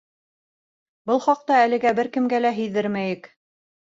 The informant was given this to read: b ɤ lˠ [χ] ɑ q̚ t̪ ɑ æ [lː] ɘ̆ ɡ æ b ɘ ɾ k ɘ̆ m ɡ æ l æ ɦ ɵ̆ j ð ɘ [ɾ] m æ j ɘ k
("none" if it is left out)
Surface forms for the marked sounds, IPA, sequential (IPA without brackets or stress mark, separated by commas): χ, l, ɾ